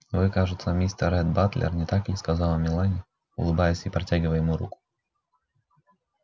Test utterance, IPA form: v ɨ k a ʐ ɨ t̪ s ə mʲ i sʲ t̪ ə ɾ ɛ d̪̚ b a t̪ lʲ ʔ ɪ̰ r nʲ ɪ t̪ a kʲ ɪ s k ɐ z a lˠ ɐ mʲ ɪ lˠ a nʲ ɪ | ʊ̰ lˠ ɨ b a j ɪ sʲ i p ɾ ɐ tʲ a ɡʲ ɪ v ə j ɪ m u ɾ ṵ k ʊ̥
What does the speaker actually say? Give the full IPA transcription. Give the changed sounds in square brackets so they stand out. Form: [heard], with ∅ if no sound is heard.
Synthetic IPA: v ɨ k a ʐ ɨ t̪ s ə mʲ i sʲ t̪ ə ɾ ɛ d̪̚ b a t̪ lʲ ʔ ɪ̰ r nʲ ɪ t̪ a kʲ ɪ s k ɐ z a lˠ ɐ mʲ ɪ lˠ a nʲ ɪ | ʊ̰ lˠ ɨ b a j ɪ sʲ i p ɾ ɐ tʲ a ɡʲ ɪ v ə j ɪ m u ɾ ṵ k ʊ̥

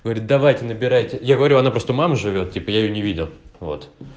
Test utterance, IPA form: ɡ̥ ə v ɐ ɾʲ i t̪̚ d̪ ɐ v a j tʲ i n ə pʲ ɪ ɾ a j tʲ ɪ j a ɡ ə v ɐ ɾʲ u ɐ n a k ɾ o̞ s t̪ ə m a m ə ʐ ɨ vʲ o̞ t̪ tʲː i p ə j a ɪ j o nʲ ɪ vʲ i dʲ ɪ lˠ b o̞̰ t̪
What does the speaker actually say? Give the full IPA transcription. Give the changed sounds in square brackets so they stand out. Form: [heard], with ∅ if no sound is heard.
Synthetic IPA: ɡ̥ ə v ɐ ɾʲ i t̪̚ d̪ ɐ v a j tʲ [ɪ] n ə [bʲ] ɪ ɾ a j tʲ ɪ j a ɡ ə v ɐ ɾʲ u ɐ n a [p] ɾ o̞ s t̪ ə m a m ə ʐ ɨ vʲ o̞ t̪ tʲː i p ə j a ɪ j o nʲ ɪ vʲ i dʲ ɪ lˠ [v] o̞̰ t̪

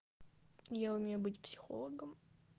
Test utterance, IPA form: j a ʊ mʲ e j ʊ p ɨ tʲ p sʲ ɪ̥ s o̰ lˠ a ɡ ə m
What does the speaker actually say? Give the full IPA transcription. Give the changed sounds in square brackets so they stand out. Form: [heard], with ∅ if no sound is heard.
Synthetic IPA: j a ʊ mʲ e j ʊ [b] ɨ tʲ p sʲ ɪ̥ [x] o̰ lˠ [ə] ɡ ə m

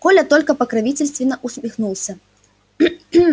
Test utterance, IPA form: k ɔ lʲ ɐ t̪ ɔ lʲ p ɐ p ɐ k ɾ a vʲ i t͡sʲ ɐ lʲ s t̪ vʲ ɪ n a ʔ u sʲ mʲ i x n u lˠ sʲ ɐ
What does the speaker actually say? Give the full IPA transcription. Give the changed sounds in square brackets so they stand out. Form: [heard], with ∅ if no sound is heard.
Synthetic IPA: k ɔ lʲ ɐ t̪ ɔ lʲ [k] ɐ p ɐ k ɾ a vʲ i t͡sʲ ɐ lʲ s t̪ vʲ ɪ n [ɐ] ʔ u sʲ mʲ i x n u lˠ sʲ ɐ

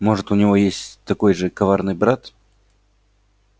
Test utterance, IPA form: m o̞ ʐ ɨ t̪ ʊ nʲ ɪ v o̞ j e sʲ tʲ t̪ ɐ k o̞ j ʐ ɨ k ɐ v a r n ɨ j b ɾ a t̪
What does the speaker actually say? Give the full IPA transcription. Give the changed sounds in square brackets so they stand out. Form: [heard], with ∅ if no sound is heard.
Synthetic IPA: m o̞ ʐ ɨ t̪ ʊ nʲ ɪ v o̞ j e sʲ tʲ t̪ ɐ k o̞ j ʐ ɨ k ɐ v a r n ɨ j b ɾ a t̪

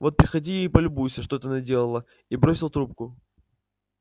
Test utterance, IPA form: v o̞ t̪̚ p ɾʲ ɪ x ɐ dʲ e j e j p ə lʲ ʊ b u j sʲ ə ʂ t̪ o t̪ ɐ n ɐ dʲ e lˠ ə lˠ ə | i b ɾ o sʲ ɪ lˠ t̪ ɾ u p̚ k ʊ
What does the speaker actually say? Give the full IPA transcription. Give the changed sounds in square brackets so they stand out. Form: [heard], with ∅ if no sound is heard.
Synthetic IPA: v o̞ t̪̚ p ɾʲ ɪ x ɐ dʲ [i] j e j p ə lʲ ʊ b u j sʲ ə ʂ t̪ o t̪ [ə] n ɐ dʲ e lˠ ə lˠ ə | i b ɾ o sʲ ɪ lˠ t̪ ɾ u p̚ k ʊ

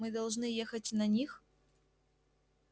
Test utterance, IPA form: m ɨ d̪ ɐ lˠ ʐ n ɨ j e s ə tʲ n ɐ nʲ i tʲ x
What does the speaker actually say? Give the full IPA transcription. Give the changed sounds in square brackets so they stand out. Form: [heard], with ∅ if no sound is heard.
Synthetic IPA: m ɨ d̪ ɐ lˠ ʐ n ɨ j e [x] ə tʲ n ɐ nʲ i [∅] x

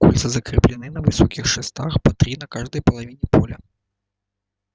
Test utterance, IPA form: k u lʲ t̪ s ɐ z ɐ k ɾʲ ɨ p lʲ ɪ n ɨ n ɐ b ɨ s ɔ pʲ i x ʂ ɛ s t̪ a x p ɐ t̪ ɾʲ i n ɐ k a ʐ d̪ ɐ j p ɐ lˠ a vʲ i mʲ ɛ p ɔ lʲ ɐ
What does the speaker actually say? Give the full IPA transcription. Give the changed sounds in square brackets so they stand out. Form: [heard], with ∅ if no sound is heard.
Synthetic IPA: k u lʲ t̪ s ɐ z ɐ k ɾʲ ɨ p lʲ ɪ n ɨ n ɐ [v] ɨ s ɔ [kʲ] i x ʂ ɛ s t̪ a x p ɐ t̪ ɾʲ i n ɐ k a ʐ d̪ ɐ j p ɐ lˠ a vʲ i [nʲ] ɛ p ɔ lʲ ɐ

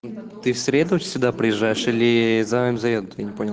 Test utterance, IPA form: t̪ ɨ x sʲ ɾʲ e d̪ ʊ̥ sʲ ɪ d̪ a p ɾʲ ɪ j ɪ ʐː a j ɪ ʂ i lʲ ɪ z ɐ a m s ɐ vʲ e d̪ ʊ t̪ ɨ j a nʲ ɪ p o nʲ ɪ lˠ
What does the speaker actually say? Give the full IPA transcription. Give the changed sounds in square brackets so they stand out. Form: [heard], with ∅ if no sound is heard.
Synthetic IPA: t̪ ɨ [f] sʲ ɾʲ e d̪ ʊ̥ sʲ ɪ d̪ a p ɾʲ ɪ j ɪ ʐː a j ɪ ʂ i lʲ ɪ z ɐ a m [z] ɐ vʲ e d̪ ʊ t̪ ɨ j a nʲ ɪ p o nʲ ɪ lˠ

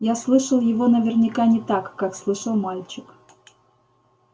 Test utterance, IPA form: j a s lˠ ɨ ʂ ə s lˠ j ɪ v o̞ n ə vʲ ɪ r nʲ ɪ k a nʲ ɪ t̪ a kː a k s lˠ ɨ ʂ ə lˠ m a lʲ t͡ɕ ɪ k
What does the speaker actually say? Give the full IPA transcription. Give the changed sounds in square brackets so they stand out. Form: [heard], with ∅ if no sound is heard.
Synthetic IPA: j a s lˠ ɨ ʂ ə [∅] lˠ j ɪ v o̞ n ə vʲ ɪ r nʲ ɪ k a nʲ ɪ t̪ a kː a k s lˠ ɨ ʂ ə lˠ m a lʲ t͡ɕ ɪ k

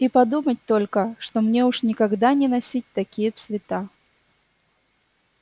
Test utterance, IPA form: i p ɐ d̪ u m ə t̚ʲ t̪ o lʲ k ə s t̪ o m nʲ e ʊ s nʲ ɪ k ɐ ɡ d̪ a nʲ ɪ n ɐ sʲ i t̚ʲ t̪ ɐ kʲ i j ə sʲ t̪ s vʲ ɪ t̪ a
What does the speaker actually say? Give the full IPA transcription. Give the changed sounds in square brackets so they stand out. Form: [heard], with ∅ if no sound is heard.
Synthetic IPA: i p ɐ d̪ u m ə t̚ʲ t̪ o lʲ k ə [ʂ] t̪ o m nʲ e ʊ [ʂ] nʲ ɪ k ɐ ɡ d̪ a nʲ ɪ n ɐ sʲ i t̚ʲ t̪ ɐ kʲ i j ə [∅] t̪ s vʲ ɪ t̪ a

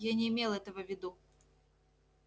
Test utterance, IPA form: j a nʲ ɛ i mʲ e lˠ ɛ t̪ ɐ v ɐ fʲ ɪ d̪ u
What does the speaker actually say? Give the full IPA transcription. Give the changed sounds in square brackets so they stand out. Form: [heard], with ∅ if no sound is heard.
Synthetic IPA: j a nʲ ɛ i mʲ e lˠ ɛ t̪ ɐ v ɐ [vʲ] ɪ d̪ u

